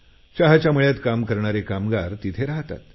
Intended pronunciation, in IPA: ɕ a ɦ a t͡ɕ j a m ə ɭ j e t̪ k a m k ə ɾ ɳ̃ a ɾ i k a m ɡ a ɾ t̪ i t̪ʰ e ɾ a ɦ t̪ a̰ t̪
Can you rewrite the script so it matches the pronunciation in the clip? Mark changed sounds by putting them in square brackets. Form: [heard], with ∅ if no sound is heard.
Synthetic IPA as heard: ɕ a ɦ a t͡ɕ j a m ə ɭ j [a] t̪ k a m k ə ɾ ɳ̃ a ɾ [e] k a m ɡ a ɾ t̪ i t̪ʰ e ɾ a ɦ t̪ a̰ t̪